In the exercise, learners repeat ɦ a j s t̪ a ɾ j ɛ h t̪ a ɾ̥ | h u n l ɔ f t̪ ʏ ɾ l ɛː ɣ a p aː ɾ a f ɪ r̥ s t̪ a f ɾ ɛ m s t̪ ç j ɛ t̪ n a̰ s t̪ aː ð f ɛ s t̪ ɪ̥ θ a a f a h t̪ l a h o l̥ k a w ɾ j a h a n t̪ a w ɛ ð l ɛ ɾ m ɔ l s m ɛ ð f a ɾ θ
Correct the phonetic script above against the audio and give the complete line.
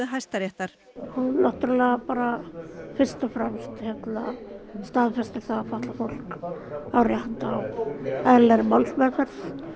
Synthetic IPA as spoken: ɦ a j s t̪ a ɾ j ɛ h t̪ a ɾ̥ | h u n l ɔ h t̪ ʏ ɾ l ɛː ɣ a p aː ɾ a f ɪ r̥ s t̪ a f ɾ ɛ m s t̪ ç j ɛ t̪ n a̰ s t̪ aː ð f ɛ s t̪ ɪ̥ θ a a f a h t̪ l a f o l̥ k a w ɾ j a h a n t̪ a w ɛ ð l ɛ ɾ m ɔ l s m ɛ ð f ɛ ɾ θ